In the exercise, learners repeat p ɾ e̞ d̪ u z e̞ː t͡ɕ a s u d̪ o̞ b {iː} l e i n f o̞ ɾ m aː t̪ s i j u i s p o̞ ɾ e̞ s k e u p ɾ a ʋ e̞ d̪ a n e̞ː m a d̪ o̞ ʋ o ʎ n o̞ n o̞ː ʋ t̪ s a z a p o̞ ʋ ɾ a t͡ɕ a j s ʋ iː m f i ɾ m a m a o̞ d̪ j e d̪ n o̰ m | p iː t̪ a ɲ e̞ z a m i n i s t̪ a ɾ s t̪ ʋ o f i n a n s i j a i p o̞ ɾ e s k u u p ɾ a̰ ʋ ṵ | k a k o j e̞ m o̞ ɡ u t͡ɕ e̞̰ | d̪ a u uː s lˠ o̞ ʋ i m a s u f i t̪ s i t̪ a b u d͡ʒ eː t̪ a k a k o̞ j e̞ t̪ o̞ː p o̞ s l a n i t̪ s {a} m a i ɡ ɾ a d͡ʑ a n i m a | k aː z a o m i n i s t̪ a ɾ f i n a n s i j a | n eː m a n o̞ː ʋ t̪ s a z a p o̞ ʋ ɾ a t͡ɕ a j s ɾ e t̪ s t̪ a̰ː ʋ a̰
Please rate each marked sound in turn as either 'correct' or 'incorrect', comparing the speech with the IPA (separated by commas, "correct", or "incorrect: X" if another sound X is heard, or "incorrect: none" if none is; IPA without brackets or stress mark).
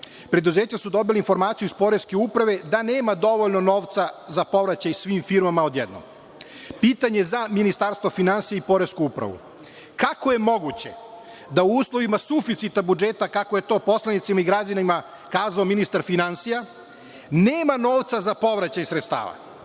incorrect: i, incorrect: i